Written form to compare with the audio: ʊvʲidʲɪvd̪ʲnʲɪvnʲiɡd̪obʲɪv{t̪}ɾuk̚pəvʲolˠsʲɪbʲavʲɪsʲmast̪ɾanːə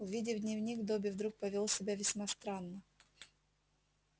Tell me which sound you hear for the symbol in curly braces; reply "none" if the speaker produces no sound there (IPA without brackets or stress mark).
d̪